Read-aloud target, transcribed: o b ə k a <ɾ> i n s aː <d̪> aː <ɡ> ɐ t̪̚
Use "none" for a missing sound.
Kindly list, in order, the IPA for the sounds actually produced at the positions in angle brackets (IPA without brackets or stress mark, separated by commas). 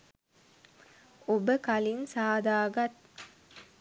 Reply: l, d̪, ɡ